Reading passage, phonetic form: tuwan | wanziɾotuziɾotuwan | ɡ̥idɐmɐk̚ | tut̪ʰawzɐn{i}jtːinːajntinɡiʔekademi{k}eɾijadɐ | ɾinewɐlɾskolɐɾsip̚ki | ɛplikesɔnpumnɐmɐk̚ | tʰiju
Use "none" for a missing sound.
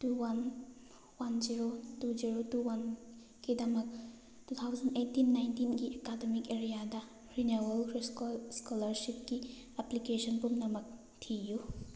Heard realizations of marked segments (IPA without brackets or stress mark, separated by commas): e, k